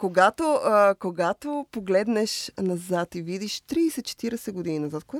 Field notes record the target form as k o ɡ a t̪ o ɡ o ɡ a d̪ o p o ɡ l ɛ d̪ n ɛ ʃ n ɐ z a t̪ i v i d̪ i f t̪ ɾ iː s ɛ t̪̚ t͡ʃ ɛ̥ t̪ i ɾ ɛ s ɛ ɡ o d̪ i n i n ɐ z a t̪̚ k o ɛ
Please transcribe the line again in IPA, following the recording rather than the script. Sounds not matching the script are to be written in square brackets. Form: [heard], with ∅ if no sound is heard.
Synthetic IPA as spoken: k o ɡ a t̪ o [k] o ɡ a [t̪] o p o ɡ l ɛ d̪ n ɛ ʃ n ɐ z a t̪ i v i d̪ i [ʃ] t̪ ɾ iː s ɛ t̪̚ t͡ʃ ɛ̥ t̪ i ɾ ɛ s ɛ ɡ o d̪ i n i n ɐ z a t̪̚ k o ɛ